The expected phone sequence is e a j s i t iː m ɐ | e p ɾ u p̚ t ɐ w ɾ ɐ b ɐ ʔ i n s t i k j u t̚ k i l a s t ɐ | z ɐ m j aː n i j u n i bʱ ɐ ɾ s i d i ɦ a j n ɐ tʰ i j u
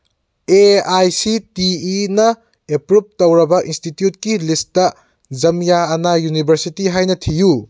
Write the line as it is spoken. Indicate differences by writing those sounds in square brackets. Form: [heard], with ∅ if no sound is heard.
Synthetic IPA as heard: e a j s i t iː [n] ɐ | e p ɾ u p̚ t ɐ w ɾ ɐ b ɐ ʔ i n s t i [t] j u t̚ k i l [i] s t ɐ | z ɐ m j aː n [a] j u n i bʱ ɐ ɾ s i [t] i ɦ a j n ɐ tʰ i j u